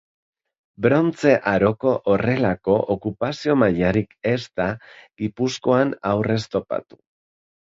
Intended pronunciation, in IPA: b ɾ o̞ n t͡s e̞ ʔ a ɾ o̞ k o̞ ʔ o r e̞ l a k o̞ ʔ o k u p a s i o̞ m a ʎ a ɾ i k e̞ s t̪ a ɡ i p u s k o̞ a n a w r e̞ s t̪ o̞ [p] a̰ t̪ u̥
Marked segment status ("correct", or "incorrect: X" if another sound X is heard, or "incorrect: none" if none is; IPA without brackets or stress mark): correct